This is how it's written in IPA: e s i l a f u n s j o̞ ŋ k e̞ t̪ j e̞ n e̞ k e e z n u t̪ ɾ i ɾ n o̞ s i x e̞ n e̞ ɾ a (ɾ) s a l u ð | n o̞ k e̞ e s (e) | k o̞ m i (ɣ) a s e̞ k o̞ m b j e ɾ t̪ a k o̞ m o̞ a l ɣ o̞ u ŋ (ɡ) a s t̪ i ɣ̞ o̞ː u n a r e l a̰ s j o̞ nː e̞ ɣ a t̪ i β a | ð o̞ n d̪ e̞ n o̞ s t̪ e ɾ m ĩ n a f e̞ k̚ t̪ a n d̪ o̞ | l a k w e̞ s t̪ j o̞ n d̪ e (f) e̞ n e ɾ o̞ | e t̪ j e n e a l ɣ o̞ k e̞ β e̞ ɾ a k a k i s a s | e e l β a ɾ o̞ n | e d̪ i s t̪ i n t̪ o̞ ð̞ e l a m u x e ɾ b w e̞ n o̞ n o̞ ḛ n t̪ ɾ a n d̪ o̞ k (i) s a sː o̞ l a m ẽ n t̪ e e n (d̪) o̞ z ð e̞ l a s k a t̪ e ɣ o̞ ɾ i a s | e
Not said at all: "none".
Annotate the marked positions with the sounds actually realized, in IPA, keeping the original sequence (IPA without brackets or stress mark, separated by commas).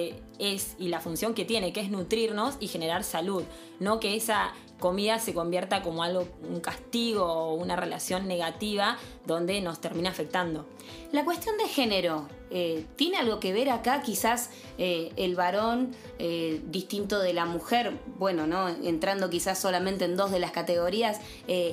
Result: ɾ, a, ð, k, x, i, d̪